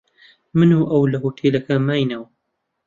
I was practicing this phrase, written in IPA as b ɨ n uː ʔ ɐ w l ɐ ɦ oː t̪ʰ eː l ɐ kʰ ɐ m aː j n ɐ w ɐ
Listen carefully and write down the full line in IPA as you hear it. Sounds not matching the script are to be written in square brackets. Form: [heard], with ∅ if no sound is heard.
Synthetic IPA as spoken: [m] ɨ n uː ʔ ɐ w l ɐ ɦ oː t̪ʰ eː l ɐ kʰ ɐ m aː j n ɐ w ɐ